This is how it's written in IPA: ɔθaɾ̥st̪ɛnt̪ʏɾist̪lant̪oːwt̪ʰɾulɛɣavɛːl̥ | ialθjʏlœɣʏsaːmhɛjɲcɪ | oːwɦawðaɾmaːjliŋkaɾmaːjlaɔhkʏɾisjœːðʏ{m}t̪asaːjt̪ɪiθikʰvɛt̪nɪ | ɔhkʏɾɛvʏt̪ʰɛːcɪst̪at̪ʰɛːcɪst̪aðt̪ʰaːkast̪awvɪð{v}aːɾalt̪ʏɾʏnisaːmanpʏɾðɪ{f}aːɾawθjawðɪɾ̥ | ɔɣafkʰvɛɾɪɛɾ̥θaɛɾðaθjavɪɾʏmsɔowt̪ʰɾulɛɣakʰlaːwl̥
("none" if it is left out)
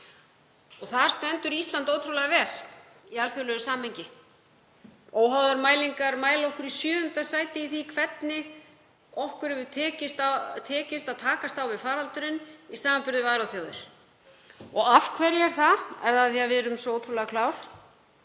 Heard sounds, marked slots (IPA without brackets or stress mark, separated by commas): n, f, v